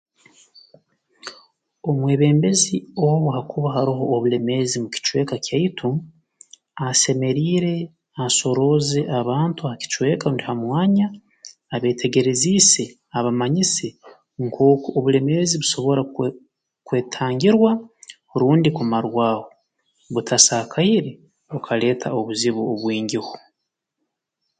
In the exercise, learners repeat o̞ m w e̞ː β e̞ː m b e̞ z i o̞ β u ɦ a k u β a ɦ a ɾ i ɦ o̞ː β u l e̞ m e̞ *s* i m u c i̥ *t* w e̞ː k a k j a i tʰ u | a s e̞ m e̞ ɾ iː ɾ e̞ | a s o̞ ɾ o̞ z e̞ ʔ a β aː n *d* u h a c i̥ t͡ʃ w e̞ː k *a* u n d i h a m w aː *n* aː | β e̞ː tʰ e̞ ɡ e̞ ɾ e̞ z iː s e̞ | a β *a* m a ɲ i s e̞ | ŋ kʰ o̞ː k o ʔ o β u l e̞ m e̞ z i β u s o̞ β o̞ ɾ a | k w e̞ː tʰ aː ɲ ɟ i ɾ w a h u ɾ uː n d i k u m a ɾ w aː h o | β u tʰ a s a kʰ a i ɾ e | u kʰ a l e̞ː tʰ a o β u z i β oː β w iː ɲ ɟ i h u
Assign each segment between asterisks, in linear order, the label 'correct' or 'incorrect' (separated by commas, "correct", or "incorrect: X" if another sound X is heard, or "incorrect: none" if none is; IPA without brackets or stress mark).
incorrect: z, incorrect: t͡ʃ, incorrect: t, correct, incorrect: ɲ, correct